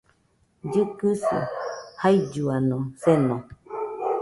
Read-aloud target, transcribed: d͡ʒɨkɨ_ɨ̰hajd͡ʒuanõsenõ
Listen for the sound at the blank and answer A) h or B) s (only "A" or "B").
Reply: B